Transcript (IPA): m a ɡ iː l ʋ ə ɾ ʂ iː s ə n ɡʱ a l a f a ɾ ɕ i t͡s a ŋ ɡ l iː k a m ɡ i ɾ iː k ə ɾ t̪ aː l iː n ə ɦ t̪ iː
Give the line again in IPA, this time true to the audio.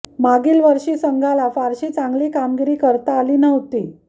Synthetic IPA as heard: m a ɡ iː l ʋ ə ɾ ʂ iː s ə ŋ ɡʱ a l a f a ɾ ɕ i t͡s a ŋ ɡ l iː k a m ɡ i ɾ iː k ə ɾ t̪ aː l iː n ə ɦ t̪ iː